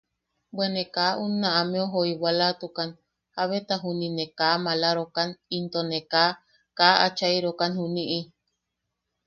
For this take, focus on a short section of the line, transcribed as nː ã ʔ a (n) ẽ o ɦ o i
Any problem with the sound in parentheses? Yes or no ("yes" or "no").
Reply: yes